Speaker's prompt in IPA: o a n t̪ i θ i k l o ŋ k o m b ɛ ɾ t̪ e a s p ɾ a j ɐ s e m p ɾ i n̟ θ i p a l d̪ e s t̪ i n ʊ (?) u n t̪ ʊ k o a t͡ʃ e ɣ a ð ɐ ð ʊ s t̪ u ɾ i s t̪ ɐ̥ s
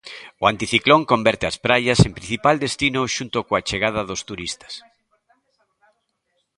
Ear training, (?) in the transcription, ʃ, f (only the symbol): ʃ